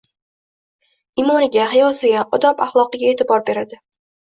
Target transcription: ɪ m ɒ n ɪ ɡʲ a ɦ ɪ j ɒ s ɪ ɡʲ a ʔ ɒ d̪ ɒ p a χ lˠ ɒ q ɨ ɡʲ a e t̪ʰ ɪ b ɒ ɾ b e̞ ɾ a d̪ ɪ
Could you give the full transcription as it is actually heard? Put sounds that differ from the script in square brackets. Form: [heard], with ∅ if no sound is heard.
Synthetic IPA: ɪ m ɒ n ɪ ɡʲ a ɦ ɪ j ɒ s ɪ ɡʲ a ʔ ɒ d̪ ɒ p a χ lˠ ɒ q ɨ ɡʲ a e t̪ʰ ɪ b ɒ ɾ b e̞ ɾ a d̪ ɪ